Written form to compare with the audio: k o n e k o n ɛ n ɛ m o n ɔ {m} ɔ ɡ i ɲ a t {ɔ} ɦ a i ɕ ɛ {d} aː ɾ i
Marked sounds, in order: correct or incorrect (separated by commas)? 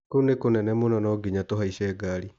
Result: incorrect, incorrect, incorrect